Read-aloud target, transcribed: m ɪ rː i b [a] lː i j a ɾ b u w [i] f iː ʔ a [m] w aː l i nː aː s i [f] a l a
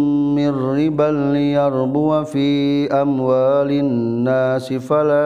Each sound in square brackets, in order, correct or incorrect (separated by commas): correct, incorrect, correct, correct